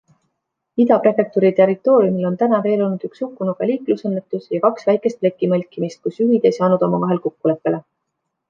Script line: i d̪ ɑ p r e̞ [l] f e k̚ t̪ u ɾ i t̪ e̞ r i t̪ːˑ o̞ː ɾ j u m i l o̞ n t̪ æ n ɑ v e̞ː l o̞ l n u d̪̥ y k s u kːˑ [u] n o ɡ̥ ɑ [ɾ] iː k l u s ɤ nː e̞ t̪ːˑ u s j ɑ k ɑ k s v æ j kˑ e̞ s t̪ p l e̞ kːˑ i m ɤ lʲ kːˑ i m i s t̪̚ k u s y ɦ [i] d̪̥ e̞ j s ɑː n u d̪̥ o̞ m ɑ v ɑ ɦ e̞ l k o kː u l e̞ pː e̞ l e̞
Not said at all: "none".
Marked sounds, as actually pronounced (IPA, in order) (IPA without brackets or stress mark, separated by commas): none, u, l, i